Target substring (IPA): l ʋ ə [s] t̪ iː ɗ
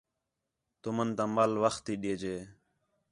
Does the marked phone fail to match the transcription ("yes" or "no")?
yes